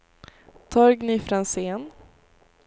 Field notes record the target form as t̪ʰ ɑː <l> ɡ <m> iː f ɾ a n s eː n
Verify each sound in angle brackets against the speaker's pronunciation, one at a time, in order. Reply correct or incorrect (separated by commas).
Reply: incorrect, incorrect